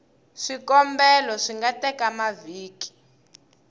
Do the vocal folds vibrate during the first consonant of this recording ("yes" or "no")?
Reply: no